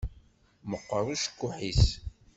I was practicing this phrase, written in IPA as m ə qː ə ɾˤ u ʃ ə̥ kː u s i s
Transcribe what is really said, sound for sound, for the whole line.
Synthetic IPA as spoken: m ə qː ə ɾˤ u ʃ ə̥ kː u ħ i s